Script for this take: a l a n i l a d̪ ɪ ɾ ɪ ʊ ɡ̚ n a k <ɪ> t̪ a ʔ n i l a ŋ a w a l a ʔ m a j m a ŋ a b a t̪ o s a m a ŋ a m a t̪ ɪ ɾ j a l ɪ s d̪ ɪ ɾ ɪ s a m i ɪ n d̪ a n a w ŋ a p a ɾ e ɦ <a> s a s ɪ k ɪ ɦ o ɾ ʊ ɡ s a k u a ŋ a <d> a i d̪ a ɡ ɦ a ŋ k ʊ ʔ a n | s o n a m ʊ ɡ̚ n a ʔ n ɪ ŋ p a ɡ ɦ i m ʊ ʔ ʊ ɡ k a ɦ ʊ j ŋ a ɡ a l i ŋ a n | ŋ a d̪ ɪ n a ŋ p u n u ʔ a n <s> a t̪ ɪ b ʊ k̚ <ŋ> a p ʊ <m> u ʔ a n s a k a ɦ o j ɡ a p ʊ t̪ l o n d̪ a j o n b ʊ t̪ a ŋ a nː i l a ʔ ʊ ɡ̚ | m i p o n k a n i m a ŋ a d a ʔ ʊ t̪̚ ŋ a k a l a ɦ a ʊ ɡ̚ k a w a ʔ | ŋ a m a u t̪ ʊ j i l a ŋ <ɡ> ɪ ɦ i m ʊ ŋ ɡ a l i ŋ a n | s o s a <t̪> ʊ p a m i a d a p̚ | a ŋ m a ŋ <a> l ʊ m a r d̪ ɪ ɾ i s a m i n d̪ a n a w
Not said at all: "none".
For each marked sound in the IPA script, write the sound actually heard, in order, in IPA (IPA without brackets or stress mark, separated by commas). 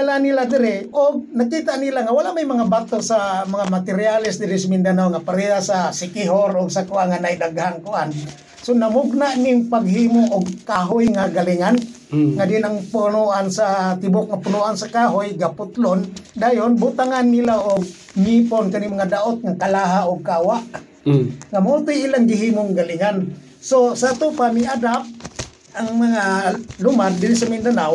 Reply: i, a, n, s, ŋ, n, ɡ, t̪, a